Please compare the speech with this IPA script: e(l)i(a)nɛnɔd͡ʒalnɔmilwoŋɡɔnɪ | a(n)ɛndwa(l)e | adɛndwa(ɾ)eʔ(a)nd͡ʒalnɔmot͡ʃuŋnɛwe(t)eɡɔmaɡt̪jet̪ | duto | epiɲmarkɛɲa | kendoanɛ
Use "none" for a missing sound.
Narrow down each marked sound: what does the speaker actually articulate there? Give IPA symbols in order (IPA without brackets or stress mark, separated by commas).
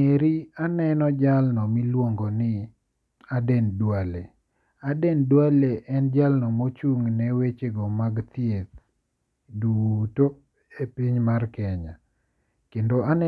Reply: ɾ, a, d, l, l, ɛ, t͡ʃ